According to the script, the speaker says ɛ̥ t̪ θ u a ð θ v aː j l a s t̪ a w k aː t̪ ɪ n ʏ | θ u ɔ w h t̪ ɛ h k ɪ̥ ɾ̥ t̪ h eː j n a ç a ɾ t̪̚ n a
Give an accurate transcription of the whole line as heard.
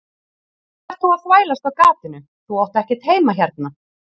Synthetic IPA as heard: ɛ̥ t̪ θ u a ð θ v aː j l a s t̪ a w k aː t̪ ɪ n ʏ | θ u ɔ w h t̪ ɛ h c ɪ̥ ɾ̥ t̪ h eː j m a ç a ɾ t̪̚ n a

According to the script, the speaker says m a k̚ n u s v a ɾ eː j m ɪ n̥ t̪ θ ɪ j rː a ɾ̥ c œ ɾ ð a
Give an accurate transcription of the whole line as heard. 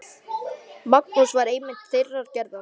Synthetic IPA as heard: m a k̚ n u s v a ɾ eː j m ɪ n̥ t̪ θ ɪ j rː a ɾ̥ c ɛ ɾ ð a

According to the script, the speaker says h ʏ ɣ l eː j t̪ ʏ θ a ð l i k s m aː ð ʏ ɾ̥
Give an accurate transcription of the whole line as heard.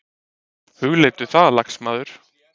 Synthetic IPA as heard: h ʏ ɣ l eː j t̪ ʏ θ a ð l a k s m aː ð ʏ ɾ̥

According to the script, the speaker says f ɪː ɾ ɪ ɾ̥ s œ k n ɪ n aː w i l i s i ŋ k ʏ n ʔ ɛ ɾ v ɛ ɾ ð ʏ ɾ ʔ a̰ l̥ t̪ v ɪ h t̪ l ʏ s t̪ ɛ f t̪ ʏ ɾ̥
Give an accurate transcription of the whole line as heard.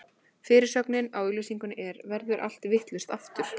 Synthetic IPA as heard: f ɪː ɾ ɪ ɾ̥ s œ k n ɪ n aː w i l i s i ŋ k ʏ n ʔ ɛ ɾ v ɛ ɾ ð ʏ ɾ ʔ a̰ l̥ t̪ v ɪ h t̪ l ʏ s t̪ a f t̪ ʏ ɾ̥

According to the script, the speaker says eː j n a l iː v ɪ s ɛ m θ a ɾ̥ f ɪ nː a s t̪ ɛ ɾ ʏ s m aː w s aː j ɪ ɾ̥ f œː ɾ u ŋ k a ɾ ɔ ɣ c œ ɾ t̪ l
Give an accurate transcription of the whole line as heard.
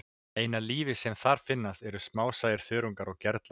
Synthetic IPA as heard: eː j n a l iː v ɪ s ɛ m θ a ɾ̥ f ɪ nː a s t̪ ɛ ɾ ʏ s m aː w s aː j ɪ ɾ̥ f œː ɾ u ŋ k a ɾ ɔ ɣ c ɛ ɾ t̪ l

